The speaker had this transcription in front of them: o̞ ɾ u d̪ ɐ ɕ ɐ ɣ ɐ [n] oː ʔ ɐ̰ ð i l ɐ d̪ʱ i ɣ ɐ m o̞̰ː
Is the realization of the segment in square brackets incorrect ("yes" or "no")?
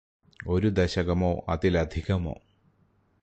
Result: yes